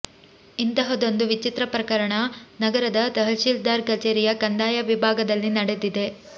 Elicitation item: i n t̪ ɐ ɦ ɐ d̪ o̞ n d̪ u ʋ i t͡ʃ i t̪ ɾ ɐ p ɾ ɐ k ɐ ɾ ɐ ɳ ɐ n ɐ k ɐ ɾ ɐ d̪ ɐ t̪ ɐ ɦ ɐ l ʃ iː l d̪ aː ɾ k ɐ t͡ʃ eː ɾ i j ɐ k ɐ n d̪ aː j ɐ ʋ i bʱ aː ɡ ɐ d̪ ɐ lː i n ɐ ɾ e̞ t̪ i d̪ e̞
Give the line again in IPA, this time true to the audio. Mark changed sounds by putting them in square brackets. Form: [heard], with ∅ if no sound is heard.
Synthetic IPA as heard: i n t̪ ɐ ɦ ɐ d̪ o̞ n d̪ u ʋ i t͡ʃ i t̪ ɾ ɐ p ɾ ɐ k ɐ ɾ ɐ ɳ ɐ n ɐ [ɡ] ɐ ɾ ɐ d̪ ɐ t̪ ɐ ɦ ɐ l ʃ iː l d̪ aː ɾ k ɐ t͡ʃ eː ɾ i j ɐ k ɐ n d̪ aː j ɐ ʋ i bʱ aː ɡ ɐ d̪ ɐ lː i n ɐ [ɽ] e̞ [d̪] i d̪ e̞